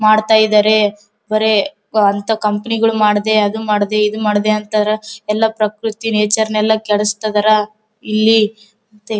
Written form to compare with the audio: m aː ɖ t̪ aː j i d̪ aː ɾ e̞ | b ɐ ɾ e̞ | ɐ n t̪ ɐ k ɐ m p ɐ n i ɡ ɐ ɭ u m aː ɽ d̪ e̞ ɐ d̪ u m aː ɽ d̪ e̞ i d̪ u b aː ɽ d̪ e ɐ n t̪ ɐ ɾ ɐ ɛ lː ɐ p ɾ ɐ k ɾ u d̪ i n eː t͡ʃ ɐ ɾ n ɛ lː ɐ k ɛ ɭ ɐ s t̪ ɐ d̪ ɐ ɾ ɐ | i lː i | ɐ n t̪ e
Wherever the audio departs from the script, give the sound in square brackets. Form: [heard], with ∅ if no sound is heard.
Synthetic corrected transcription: m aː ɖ t̪ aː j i d̪ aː ɾ e̞ | b ɐ ɾ e̞ | ɐ n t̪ ɐ k ɐ m p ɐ n i ɡ ɐ ɭ u m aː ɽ d̪ e̞ ɐ d̪ u m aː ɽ d̪ e̞ i d̪ u [m] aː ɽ d̪ e ɐ n t̪ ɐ ɾ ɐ ɛ lː ɐ p ɾ ɐ k ɾ u [t̪] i n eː t͡ʃ ɐ ɾ n ɛ lː ɐ k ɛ ɭ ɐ s t̪ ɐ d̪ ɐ ɾ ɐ | i lː i | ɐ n t̪ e

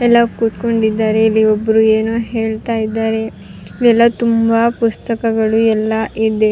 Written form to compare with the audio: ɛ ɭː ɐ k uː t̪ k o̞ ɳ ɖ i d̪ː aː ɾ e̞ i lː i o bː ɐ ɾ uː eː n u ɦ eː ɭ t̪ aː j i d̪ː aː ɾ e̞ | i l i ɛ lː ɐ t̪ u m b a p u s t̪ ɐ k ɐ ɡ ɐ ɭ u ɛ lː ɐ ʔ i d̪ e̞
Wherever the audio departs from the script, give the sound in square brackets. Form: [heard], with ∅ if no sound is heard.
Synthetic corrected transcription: ɛ [lː] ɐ k uː t̪ k o̞ ɳ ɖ i d̪ː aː ɾ e̞ i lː i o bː ɐ ɾ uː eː n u ɦ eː ɭ t̪ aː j i d̪ː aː ɾ e̞ | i l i ɛ lː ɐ t̪ u m b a p u s t̪ ɐ k ɐ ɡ ɐ ɭ u ɛ lː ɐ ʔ i d̪ e̞

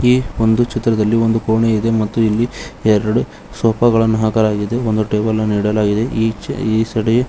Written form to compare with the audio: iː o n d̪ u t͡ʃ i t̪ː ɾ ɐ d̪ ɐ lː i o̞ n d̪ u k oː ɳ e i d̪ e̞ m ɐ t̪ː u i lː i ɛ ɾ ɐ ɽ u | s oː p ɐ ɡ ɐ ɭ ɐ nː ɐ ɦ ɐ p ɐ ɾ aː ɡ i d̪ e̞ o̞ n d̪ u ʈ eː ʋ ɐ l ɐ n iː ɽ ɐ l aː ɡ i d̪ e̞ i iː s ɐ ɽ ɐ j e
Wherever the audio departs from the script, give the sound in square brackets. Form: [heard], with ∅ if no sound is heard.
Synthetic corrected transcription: iː o n d̪ u t͡ʃ i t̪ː ɾ ɐ d̪ ɐ lː i o̞ n d̪ u k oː ɳ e i d̪ e̞ m ɐ t̪ː u i lː i ɛ ɾ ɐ ɽ u | s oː p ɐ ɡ ɐ ɭ ɐ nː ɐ ɦ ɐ [k] ɐ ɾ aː ɡ i d̪ e̞ o̞ n d̪ u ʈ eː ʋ ɐ l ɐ n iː ɽ ɐ l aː ɡ i d̪ e̞ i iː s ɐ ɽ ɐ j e

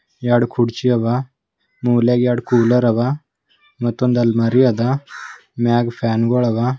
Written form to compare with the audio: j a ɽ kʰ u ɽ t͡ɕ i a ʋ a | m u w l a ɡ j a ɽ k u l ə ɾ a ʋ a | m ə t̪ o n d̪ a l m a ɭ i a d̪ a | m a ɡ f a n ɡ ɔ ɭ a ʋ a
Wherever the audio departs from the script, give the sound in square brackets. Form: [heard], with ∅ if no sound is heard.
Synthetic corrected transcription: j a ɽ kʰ u ɽ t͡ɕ i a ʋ a | m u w l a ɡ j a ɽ k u l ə ɾ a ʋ a | m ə t̪ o n d̪ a l m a [ɾ] i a d̪ a | m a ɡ f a n ɡ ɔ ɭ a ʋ a

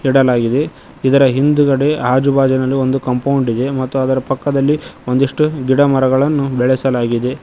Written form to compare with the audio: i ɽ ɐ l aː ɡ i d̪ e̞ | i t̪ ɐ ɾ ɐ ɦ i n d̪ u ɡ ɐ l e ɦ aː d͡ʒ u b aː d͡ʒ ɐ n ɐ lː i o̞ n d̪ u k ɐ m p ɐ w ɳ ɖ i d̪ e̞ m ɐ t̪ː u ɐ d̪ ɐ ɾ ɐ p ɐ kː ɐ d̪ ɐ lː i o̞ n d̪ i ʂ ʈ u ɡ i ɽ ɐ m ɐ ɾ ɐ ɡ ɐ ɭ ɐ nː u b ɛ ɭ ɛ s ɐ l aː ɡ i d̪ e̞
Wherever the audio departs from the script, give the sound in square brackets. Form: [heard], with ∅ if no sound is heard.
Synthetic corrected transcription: i ɽ ɐ l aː ɡ i d̪ e̞ | i [d̪] ɐ ɾ ɐ ɦ i n d̪ u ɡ ɐ [ɽ] e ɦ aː d͡ʒ u b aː d͡ʒ ɐ n ɐ lː i o̞ n d̪ u k ɐ m p ɐ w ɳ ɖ i d̪ e̞ m ɐ t̪ː u ɐ d̪ ɐ ɾ ɐ p ɐ kː ɐ d̪ ɐ lː i o̞ n d̪ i ʂ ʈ u ɡ i ɽ ɐ m ɐ ɾ ɐ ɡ ɐ ɭ ɐ nː u b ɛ ɭ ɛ s ɐ l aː ɡ i d̪ e̞

